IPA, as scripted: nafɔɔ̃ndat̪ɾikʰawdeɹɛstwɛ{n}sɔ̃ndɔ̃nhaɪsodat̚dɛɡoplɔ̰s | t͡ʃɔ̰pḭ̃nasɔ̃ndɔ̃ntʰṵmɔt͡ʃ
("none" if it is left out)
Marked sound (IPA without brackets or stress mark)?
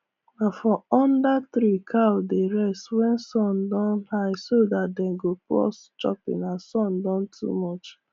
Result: n